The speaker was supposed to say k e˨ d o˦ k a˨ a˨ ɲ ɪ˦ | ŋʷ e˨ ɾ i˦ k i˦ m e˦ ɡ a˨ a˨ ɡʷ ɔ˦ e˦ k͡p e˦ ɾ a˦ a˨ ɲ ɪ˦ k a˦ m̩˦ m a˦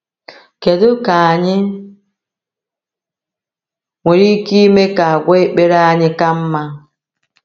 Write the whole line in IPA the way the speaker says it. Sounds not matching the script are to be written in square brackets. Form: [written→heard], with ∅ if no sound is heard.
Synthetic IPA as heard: k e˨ d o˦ k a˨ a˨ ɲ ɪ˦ | ŋʷ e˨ ɾ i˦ k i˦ m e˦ [ɡ→k] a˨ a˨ ɡʷ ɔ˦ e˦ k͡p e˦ ɾ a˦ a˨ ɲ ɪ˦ k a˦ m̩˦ m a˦